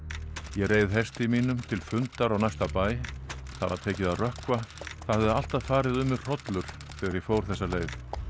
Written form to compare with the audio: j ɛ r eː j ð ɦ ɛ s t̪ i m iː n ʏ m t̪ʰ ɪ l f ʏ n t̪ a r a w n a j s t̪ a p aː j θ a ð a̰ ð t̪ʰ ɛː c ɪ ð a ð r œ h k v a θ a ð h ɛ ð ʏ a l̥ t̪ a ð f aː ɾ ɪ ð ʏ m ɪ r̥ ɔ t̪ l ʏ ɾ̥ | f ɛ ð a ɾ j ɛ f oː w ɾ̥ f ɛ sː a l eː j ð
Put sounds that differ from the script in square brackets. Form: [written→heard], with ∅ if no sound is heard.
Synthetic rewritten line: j ɛ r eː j ð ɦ ɛ s t̪ i m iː n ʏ m t̪ʰ ɪ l f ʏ n t̪ a [r→ɾ] a w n a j s t̪ a p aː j θ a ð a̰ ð t̪ʰ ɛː c ɪ ð a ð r œ h k v a θ a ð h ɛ ð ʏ a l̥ t̪ a ð f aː ɾ ɪ ð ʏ m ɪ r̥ ɔ t̪ l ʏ ɾ̥ | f ɛ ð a ɾ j ɛ f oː w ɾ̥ [f→θ] ɛ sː a l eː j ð

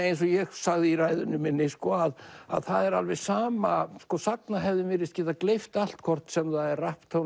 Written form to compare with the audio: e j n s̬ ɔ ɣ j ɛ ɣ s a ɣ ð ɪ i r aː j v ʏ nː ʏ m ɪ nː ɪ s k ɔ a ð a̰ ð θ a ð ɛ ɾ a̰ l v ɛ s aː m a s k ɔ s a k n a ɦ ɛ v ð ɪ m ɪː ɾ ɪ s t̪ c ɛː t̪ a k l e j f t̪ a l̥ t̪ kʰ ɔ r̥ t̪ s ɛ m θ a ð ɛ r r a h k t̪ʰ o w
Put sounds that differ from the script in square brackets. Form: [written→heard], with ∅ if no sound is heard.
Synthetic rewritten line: e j n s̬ ɔ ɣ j ɛ ɣ s a ɣ ð ɪ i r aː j [v→ð] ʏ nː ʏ m ɪ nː ɪ s k ɔ a ð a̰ ð θ a ð ɛ ɾ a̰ l v ɛ s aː m a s k ɔ s a k n a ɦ ɛ v ð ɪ m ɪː ɾ ɪ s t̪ c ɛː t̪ a k l e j f t̪ a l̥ t̪ kʰ ɔ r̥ t̪ s ɛ m θ a ð ɛ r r a h [k→p] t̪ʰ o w

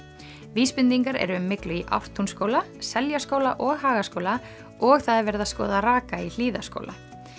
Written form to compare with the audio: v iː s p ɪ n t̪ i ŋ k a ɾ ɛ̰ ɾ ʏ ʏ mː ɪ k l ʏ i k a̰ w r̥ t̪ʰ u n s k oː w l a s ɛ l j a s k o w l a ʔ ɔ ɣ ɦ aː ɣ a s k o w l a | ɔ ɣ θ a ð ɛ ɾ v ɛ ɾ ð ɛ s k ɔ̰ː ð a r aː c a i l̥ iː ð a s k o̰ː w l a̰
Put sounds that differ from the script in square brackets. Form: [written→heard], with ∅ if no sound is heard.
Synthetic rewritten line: v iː s p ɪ n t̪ i ŋ k a ɾ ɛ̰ ɾ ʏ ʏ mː ɪ k l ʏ i [k→ʔ] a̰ w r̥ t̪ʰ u n s k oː w l a s ɛ l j a s k o w l a ʔ ɔ ɣ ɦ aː ɣ a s k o w l a | ɔ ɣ θ a ð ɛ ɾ v ɛ ɾ ð [ɛ→a] s k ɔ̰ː ð a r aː [c→k] a i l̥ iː ð a s k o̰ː w l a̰

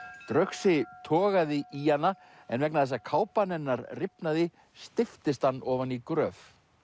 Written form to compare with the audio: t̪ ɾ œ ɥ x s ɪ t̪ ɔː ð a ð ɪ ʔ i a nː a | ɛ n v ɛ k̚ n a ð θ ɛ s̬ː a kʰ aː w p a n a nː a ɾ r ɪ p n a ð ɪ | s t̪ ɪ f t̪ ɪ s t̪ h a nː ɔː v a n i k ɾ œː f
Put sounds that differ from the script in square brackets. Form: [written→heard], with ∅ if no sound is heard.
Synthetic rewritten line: t̪ ɾ œ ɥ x s ɪ [t̪→t̪ʰ] ɔː [ð→ɣ] a ð ɪ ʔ i a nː a | ɛ n v ɛ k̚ n a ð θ ɛ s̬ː a kʰ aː w p a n [a→ɛ] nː a ɾ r ɪ p n a ð ɪ | s t̪ ɪ f t̪ ɪ s t̪ h a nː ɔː v a n i k ɾ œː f

